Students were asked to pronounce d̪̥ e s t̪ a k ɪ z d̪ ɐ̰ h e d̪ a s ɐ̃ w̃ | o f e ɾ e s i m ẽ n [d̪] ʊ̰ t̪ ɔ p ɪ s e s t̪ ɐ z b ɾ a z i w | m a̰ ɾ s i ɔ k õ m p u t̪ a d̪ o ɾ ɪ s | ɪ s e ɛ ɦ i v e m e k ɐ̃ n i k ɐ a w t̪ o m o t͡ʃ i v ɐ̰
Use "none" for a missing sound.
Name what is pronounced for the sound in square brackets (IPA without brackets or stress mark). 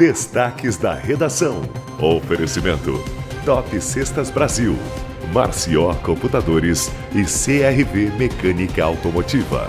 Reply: t̪